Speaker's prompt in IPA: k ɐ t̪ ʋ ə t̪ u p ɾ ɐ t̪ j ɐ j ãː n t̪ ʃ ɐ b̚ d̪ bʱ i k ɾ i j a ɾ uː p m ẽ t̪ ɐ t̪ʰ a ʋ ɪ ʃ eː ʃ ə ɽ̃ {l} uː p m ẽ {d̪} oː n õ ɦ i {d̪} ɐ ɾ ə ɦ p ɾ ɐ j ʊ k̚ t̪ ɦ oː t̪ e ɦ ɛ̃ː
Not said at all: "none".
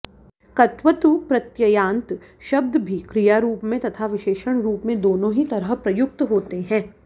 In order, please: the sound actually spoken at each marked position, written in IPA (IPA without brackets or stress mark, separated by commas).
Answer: ɾ, d̪, t̪